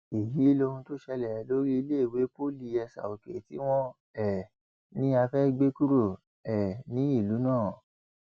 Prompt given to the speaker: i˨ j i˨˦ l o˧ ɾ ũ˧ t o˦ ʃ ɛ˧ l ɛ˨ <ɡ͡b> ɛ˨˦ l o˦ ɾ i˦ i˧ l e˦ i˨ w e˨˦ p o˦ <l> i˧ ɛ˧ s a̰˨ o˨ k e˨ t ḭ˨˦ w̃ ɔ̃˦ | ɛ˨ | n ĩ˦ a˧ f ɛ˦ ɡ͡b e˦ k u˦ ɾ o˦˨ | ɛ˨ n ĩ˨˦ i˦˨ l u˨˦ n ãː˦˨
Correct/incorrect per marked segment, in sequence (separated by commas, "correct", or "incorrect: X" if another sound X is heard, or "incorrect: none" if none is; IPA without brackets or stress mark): incorrect: none, correct